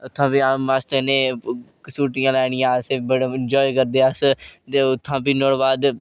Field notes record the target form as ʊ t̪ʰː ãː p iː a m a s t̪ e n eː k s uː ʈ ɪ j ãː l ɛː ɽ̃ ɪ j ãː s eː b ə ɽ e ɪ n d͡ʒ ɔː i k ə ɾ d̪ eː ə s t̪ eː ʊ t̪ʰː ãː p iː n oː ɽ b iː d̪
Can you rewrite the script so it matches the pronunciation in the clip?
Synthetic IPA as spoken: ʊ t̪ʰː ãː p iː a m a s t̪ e n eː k s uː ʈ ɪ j ãː l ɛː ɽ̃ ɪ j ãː s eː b ə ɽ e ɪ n d͡ʒ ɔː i k ə ɾ d̪ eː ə s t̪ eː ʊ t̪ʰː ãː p iː n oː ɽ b aː d̪